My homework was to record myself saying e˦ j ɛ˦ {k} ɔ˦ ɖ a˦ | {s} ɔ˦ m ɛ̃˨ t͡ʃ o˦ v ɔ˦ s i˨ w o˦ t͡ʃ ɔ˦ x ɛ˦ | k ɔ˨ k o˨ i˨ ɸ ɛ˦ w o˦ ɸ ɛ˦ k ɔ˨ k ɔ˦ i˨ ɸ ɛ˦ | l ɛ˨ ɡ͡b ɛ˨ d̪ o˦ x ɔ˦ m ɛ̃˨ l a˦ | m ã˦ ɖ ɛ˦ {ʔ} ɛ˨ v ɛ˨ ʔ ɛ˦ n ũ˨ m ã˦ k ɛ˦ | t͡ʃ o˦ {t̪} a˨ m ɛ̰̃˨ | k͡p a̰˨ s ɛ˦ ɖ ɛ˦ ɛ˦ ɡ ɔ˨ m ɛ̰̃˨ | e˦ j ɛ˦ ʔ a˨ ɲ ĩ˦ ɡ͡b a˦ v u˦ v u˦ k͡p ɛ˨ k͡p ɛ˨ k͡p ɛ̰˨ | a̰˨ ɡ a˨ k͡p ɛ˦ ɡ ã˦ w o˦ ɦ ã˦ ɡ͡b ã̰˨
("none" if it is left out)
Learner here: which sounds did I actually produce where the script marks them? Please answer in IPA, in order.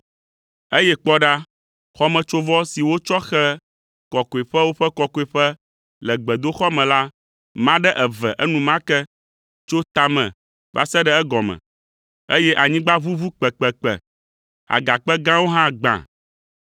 k͡p, x, ʔ, t̪

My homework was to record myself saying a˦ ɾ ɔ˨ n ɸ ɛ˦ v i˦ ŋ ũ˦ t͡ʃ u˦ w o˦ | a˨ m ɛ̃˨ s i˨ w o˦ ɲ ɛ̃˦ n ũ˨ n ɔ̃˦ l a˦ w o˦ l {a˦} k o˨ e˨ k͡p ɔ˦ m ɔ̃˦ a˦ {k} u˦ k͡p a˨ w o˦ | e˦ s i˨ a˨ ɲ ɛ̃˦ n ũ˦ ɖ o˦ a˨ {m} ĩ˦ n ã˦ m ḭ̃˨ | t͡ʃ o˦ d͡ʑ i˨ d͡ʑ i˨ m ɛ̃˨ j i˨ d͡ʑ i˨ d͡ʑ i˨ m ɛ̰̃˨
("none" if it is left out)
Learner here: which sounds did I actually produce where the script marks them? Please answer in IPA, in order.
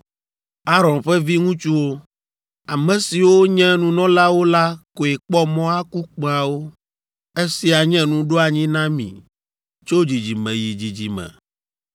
a˦, k, ɲ

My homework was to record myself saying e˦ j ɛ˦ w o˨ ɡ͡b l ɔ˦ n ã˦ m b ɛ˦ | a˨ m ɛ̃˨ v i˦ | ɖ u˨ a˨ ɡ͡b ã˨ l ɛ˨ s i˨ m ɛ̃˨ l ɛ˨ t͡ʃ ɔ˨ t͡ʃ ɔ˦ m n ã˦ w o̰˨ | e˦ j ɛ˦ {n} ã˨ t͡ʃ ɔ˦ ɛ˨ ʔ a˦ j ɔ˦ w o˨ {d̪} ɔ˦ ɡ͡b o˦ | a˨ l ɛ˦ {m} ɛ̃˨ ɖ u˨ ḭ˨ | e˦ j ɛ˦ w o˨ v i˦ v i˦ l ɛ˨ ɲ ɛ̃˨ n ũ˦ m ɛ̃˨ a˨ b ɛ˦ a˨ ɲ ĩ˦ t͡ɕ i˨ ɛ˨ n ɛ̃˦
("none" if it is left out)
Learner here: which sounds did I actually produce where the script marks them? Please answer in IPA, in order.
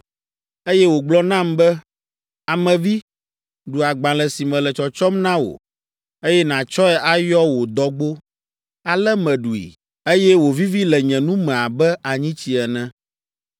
n, d̪, m

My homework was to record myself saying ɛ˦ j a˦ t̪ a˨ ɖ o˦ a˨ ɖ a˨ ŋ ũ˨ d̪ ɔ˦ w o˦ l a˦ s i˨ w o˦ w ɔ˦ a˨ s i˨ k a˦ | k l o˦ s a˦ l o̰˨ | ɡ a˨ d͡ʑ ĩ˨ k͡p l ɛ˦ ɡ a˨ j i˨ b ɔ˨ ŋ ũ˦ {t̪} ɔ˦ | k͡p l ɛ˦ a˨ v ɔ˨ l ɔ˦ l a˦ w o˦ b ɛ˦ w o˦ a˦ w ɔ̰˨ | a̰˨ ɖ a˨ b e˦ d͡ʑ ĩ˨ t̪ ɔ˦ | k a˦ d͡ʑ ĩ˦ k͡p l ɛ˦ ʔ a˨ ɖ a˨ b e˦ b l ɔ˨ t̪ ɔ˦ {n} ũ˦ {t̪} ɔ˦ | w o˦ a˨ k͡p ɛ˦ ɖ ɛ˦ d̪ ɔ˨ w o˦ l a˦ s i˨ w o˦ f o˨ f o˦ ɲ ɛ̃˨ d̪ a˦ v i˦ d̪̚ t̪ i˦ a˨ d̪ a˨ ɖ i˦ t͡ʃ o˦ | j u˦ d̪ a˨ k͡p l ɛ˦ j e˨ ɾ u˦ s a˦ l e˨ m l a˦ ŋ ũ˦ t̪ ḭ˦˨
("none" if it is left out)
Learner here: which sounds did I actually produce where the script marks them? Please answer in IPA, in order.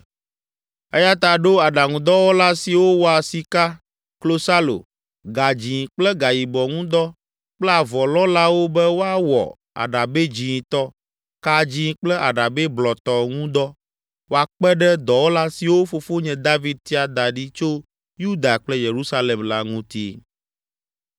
d̪, ŋ, d̪

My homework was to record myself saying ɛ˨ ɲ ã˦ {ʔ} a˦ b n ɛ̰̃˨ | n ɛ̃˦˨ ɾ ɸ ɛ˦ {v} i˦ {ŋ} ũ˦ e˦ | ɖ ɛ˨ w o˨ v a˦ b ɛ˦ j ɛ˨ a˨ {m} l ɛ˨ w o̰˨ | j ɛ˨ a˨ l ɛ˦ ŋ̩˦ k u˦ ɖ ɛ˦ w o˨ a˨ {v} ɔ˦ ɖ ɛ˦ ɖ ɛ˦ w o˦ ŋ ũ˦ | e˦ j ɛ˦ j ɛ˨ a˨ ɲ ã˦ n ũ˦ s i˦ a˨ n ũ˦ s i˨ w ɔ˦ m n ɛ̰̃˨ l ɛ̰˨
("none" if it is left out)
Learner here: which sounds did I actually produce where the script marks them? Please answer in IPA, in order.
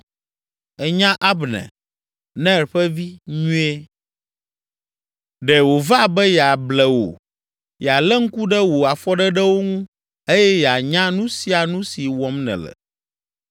ʔ, v, ɲ, b, f

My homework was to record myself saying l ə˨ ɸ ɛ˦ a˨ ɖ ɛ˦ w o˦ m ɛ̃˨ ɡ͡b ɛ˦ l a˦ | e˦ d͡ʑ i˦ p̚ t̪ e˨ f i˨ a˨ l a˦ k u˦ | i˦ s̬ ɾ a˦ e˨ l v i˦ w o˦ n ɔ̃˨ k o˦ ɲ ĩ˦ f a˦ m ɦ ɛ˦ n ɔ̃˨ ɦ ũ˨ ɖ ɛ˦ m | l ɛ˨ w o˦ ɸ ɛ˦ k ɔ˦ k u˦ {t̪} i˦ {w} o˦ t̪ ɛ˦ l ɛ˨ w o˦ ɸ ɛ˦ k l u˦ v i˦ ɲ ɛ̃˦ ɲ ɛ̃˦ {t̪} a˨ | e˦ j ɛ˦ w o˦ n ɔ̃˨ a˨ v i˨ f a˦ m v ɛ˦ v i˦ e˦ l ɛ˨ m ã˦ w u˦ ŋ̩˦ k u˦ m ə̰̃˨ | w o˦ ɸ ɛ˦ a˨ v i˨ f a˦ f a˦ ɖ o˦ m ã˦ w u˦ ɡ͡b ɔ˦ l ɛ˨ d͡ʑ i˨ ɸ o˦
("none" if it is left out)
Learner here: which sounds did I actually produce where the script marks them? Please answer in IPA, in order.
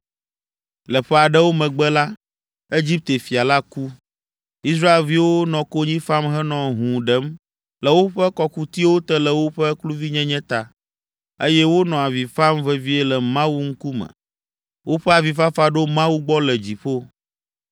t̪, w, t̪

